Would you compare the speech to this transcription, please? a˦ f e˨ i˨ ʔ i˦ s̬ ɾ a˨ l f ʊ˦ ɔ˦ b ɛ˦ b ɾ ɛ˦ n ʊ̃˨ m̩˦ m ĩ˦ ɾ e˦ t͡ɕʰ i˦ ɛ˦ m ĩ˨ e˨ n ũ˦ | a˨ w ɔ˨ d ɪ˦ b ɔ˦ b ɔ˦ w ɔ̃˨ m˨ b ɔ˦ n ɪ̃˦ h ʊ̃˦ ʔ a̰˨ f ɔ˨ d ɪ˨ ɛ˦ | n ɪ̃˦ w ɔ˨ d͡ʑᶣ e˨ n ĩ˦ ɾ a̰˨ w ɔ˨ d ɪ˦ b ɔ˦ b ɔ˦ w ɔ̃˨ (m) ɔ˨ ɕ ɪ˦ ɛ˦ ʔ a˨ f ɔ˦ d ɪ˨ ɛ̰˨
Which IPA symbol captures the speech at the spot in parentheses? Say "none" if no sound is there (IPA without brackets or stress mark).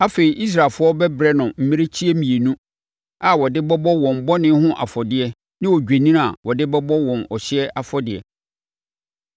n